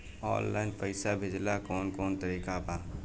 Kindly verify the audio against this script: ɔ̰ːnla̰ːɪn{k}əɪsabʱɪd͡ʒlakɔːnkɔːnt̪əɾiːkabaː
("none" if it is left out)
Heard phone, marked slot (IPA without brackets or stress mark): p